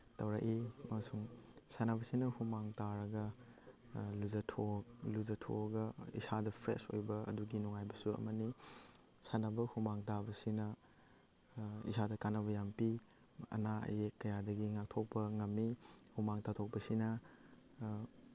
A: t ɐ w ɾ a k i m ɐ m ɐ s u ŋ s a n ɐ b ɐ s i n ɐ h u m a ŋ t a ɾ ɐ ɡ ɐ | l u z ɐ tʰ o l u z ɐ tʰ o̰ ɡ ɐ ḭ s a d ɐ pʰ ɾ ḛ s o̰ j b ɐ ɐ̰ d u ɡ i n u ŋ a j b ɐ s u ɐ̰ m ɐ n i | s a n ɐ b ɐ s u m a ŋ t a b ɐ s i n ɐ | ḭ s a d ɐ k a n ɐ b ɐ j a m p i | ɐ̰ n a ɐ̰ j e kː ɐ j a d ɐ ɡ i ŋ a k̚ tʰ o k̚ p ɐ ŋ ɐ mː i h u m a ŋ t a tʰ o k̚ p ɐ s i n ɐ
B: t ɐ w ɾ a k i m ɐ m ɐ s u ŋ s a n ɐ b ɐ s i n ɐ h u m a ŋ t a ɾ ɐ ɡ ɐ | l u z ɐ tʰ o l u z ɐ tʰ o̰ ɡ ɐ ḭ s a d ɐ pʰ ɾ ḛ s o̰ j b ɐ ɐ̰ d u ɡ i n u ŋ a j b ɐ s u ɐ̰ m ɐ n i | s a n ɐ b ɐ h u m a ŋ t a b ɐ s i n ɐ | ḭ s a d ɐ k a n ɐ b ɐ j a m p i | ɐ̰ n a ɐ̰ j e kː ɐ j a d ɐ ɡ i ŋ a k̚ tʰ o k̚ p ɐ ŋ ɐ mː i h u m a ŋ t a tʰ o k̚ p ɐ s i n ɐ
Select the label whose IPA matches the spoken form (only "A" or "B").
B